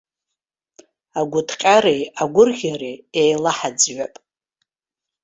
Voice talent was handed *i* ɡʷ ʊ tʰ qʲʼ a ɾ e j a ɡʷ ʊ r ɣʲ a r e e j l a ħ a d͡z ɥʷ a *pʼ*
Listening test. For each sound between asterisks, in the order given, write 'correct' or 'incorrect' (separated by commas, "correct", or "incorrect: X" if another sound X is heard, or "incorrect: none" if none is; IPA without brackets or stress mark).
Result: incorrect: a, correct